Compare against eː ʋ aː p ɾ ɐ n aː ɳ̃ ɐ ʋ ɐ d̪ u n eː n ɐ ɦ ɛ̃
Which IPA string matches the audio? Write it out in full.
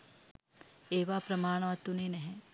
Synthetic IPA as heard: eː ʋ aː p ɾ ɐ m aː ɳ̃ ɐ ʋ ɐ t̪ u n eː n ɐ ɦ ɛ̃